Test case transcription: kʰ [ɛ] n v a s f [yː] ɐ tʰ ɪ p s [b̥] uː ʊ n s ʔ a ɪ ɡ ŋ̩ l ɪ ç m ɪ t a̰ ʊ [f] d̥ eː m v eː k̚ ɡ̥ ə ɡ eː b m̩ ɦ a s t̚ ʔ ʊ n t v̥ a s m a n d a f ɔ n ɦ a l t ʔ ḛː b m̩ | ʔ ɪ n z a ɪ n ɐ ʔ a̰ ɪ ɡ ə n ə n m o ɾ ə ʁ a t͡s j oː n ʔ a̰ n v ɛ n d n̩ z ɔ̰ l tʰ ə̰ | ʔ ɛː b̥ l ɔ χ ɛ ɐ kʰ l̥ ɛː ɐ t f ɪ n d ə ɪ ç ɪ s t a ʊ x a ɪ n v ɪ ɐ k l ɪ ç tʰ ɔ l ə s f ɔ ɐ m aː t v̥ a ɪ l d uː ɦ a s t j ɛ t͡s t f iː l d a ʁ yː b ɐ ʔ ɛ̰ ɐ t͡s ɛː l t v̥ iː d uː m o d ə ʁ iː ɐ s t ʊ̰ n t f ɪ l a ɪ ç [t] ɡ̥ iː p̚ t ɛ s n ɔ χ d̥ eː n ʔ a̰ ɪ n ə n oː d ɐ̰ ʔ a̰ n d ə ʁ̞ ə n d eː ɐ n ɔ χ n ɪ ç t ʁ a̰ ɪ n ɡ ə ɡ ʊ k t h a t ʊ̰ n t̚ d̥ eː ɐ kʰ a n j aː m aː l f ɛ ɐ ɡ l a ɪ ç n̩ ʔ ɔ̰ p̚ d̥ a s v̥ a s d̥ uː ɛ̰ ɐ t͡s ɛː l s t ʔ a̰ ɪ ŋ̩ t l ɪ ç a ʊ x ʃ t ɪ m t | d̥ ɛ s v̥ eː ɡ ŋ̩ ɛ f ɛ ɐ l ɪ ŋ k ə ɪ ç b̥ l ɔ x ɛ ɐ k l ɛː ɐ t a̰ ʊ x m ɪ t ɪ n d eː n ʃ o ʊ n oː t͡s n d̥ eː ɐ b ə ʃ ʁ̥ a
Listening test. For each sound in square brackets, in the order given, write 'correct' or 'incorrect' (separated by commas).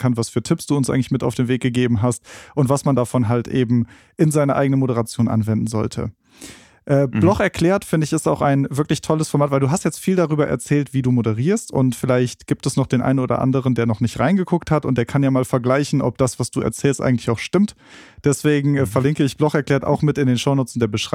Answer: incorrect, correct, incorrect, correct, correct